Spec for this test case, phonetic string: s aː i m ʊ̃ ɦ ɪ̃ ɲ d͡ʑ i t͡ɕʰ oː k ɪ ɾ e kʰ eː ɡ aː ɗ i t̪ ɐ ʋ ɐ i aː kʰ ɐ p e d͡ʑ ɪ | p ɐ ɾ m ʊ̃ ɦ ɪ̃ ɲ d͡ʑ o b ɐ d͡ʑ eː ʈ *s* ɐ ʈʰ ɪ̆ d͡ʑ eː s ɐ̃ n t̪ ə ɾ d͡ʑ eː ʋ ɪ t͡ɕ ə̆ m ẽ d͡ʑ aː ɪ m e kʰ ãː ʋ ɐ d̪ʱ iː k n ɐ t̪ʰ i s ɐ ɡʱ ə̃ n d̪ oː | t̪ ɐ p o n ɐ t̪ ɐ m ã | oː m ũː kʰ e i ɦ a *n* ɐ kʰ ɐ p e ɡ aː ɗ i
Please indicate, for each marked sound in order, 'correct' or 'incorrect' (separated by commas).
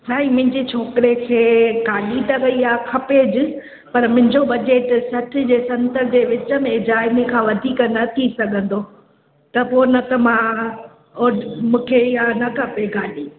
correct, correct